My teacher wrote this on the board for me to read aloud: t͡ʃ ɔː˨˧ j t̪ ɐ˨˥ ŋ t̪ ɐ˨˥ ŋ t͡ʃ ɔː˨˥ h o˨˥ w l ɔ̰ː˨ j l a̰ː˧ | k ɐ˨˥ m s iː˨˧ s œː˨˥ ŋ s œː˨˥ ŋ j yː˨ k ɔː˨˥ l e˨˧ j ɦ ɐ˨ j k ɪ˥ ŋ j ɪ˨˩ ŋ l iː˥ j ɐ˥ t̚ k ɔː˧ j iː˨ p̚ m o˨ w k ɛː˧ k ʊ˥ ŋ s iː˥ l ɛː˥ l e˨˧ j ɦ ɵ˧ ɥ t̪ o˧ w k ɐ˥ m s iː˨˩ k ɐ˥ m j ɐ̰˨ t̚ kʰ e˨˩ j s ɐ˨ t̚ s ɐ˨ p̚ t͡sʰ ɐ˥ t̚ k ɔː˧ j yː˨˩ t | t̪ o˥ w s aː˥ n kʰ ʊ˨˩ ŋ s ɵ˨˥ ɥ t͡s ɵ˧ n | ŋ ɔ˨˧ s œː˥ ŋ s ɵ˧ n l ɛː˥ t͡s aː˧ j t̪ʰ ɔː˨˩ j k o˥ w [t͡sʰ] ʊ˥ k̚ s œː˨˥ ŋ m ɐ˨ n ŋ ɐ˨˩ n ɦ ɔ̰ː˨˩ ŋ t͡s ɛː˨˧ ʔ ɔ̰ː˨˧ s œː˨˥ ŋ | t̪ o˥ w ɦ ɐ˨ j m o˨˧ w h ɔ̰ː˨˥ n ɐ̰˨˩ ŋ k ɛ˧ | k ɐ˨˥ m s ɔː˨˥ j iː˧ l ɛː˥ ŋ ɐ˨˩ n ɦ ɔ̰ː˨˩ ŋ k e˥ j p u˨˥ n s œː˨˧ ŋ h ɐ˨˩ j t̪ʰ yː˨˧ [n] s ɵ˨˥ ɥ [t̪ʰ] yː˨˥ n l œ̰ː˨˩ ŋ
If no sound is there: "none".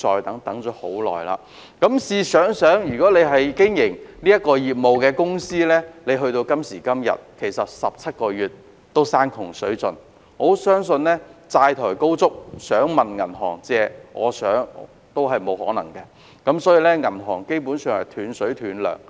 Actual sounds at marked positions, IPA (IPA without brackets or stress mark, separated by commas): t͡s, n, t̪ʰ